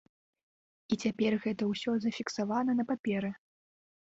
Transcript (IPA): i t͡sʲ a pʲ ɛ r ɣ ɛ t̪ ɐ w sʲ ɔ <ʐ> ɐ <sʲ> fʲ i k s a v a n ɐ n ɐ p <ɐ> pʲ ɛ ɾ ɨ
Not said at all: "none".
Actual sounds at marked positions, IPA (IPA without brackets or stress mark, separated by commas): z, none, a